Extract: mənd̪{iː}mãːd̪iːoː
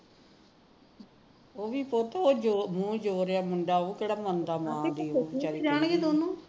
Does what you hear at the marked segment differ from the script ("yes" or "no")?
yes